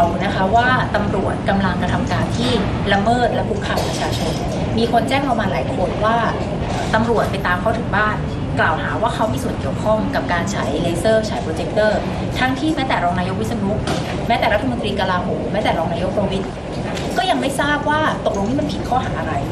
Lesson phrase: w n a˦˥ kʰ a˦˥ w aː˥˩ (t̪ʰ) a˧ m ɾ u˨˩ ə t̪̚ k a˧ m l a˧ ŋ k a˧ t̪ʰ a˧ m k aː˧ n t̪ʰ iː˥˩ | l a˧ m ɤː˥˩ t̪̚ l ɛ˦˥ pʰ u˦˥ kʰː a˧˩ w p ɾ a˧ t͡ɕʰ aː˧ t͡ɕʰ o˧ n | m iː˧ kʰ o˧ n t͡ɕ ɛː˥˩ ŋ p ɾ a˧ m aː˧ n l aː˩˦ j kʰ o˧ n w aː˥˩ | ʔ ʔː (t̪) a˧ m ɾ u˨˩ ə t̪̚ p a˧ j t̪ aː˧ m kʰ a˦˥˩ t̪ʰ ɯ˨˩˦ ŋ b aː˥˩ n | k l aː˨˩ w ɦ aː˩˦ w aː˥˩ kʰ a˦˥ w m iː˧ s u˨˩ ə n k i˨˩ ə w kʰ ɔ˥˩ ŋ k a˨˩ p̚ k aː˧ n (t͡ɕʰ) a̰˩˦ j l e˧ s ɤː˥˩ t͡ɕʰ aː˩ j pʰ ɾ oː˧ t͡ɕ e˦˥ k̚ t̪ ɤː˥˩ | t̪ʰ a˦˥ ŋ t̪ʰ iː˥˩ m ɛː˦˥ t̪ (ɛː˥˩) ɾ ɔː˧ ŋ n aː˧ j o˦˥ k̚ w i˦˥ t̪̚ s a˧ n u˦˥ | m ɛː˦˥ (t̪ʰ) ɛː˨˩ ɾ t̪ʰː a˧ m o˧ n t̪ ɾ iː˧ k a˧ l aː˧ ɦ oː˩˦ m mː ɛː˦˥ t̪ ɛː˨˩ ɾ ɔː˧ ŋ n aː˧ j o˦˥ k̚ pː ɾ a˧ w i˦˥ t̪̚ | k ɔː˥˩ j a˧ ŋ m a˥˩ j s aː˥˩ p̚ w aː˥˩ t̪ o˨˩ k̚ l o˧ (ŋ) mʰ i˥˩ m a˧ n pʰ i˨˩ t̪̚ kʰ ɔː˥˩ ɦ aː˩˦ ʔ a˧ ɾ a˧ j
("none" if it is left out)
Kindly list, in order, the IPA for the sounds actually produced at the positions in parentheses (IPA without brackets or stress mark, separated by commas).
t̪, t̪, t͡ɕʰ, ɛː˨˩, t̪, ŋ